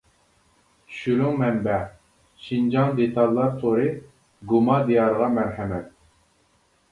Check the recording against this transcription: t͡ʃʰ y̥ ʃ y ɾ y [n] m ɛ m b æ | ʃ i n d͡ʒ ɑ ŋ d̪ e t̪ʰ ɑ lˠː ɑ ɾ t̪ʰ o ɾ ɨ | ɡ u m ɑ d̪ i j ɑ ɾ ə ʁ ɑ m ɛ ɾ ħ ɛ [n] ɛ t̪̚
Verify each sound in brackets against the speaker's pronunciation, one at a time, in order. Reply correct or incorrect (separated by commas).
incorrect, incorrect